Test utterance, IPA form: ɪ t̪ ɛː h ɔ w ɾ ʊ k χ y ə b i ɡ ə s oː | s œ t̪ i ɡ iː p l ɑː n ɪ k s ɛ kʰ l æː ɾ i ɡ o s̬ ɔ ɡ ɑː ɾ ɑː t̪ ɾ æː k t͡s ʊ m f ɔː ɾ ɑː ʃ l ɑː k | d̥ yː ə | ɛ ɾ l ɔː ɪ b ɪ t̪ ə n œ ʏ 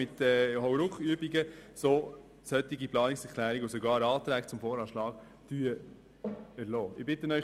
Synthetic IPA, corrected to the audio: ɪ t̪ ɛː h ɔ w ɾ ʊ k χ y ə b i ɡ ə s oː | s œ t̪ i ɡ i p l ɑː n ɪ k s ɛ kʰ l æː ɾ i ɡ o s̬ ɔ ɡ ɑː ɾ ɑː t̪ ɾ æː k t͡s ʊ m f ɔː ɾ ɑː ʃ l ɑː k | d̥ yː ə | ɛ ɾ l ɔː ɪ b ɪ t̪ ə n œ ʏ